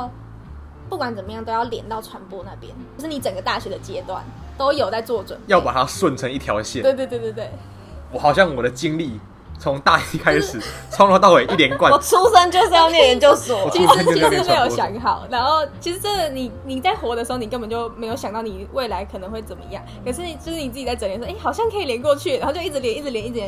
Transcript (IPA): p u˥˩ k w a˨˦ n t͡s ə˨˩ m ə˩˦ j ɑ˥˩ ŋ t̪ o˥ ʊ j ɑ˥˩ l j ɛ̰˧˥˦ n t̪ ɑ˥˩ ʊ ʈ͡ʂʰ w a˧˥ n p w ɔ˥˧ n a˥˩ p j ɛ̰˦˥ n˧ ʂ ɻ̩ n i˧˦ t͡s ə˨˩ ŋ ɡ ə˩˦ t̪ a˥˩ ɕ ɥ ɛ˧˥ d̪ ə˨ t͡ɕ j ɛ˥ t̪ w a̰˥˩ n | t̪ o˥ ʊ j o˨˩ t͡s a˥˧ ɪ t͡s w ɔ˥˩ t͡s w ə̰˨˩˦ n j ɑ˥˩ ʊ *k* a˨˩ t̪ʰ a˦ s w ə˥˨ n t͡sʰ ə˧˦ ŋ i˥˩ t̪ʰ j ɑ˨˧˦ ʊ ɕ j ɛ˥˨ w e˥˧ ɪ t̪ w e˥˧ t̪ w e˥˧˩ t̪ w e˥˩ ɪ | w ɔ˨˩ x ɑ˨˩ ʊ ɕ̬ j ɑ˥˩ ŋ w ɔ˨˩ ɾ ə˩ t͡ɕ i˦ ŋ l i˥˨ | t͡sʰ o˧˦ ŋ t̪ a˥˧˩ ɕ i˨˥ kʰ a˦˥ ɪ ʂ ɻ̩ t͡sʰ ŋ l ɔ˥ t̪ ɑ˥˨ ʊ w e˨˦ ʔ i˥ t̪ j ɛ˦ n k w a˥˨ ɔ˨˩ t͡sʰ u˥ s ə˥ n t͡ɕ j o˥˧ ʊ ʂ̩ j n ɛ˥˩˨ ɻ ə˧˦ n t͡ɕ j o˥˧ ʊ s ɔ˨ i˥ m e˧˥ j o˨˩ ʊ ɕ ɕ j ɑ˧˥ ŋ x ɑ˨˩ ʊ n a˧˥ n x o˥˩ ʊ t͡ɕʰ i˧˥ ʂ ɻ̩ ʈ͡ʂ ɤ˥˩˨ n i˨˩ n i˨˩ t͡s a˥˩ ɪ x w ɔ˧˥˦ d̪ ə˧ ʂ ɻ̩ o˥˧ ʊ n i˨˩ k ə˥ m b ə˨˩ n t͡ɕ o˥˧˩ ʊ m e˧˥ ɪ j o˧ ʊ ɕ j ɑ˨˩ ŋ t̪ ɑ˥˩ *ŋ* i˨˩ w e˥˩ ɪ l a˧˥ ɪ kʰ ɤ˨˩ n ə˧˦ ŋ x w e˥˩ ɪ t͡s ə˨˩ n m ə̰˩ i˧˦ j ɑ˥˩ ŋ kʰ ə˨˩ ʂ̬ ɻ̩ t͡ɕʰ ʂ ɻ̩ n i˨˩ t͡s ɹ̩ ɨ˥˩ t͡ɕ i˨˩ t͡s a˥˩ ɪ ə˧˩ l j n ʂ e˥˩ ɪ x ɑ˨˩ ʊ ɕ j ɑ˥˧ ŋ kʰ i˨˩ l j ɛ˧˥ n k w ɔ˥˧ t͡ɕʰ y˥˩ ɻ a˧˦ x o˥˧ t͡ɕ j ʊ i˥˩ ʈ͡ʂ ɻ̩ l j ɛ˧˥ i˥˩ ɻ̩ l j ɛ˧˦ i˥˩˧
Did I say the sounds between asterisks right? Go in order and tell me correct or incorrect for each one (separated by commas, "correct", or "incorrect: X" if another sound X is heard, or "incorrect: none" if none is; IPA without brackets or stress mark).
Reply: incorrect: p, incorrect: n